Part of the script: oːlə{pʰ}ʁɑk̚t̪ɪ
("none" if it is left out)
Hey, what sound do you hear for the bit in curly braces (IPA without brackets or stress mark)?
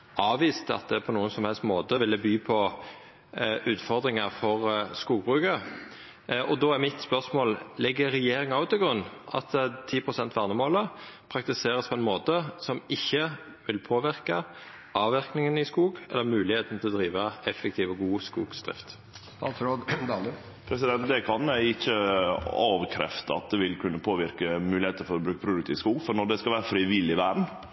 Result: pʰ